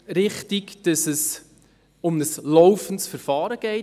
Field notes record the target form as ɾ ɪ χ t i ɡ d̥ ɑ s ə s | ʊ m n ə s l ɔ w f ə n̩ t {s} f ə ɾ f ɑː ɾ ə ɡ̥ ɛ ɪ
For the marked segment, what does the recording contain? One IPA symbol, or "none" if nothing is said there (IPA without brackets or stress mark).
s